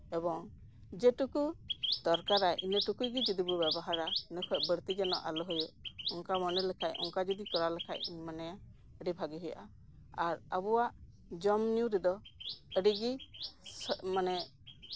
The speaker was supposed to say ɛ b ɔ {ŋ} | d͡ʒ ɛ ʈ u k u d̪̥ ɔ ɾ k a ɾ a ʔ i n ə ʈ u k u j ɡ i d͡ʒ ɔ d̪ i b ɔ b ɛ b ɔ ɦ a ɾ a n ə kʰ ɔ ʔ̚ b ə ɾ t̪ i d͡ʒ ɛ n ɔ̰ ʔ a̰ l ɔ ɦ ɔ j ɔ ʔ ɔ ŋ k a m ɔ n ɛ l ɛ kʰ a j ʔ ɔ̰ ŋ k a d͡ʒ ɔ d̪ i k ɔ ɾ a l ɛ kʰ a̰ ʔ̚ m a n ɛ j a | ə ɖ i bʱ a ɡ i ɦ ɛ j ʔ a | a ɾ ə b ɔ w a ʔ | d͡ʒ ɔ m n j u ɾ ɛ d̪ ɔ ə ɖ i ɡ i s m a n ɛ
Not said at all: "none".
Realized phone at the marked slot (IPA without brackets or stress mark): ŋ